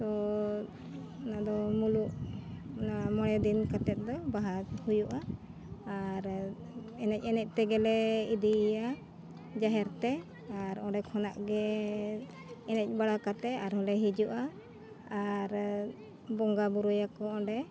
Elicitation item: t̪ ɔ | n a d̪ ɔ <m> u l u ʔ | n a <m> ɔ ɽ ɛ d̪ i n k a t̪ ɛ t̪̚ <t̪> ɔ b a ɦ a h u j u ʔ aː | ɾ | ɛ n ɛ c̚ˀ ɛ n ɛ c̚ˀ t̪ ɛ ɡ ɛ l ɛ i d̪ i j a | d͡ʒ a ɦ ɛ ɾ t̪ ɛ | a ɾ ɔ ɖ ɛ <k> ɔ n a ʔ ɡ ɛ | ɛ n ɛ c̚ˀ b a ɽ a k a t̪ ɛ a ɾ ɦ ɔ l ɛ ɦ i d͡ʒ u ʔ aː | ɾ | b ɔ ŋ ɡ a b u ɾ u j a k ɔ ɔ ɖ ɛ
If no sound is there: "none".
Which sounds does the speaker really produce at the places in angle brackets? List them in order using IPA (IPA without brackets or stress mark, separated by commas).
m, m, d̪, kʰ